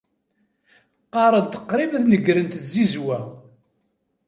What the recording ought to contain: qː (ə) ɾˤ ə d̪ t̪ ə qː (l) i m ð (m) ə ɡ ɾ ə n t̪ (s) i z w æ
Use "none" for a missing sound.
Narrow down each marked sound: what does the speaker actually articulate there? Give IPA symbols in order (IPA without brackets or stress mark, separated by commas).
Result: ɑ, ɾ, n, z